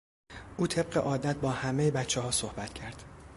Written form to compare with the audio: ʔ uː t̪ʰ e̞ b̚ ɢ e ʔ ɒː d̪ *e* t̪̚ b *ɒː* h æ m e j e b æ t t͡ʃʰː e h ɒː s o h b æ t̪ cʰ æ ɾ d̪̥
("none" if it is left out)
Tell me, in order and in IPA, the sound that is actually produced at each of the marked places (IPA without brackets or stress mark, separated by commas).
æ, ɒː